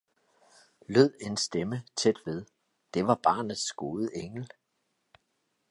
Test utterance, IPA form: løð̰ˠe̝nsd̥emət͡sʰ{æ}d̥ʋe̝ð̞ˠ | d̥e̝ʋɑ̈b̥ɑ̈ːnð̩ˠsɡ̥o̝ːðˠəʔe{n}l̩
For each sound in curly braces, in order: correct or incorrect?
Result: incorrect: e, incorrect: ŋ

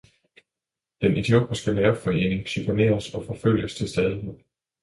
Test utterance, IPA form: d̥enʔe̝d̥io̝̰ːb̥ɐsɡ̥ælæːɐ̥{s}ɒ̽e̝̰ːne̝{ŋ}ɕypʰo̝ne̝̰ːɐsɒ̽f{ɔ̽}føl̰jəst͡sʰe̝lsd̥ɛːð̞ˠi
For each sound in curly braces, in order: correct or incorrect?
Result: incorrect: f, correct, incorrect: ɒ̽

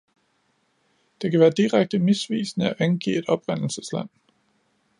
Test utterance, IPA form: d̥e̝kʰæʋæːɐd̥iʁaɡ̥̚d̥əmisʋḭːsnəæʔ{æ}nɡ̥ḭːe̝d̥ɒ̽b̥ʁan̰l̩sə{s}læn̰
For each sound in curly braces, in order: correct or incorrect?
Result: correct, correct

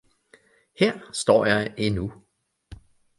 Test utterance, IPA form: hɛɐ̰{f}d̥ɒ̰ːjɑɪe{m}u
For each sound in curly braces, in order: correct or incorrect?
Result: incorrect: s, incorrect: n

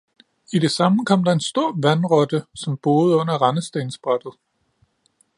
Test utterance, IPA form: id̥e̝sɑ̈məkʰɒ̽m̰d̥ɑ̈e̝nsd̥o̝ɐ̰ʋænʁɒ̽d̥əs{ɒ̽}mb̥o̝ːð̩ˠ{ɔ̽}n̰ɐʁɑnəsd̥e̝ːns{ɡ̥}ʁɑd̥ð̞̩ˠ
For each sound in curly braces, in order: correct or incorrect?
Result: correct, correct, incorrect: b̥

